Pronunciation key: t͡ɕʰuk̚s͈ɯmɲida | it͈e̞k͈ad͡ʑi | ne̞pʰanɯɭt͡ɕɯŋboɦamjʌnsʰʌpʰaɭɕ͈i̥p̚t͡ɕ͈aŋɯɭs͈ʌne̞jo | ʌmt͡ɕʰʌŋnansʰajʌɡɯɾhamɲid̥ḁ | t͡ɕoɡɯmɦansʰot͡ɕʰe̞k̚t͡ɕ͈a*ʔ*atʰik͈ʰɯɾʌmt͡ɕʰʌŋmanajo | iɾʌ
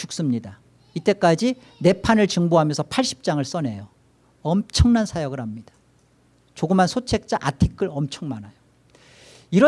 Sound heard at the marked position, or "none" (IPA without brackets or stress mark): ʔ